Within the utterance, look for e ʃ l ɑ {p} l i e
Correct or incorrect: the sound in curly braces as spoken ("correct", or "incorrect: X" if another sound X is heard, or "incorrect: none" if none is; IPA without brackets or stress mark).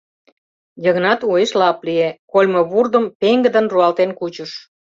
correct